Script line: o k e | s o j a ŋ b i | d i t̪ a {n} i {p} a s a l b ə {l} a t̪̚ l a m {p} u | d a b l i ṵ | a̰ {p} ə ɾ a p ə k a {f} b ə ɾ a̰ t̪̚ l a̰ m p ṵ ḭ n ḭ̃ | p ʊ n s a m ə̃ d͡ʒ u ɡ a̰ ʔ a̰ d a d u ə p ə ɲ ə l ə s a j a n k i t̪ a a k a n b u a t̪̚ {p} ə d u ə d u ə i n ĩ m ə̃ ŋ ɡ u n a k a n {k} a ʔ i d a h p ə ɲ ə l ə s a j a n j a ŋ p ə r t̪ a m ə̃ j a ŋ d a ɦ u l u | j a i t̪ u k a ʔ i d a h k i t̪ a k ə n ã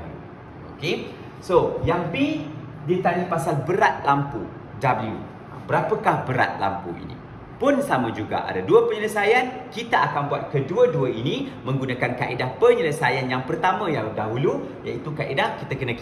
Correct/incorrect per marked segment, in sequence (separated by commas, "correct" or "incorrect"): correct, correct, incorrect, correct, incorrect, incorrect, incorrect, correct